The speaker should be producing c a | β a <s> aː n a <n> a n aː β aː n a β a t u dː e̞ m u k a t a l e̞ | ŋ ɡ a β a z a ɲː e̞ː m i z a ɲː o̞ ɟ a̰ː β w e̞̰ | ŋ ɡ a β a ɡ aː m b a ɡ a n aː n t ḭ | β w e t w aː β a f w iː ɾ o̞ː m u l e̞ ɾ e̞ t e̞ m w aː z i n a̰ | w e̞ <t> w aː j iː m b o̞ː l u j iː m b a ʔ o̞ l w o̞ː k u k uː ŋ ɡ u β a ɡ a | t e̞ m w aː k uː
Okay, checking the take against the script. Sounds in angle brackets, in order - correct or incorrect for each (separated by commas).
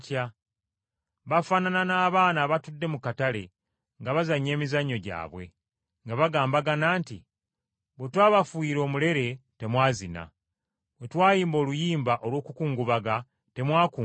incorrect, correct, correct